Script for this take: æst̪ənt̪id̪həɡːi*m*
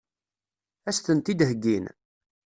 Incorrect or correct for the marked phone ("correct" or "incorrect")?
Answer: incorrect